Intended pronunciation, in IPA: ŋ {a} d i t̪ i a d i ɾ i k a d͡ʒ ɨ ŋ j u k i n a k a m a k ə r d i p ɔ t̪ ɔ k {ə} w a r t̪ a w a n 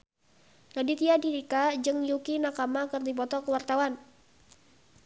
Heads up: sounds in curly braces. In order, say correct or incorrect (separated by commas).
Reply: correct, correct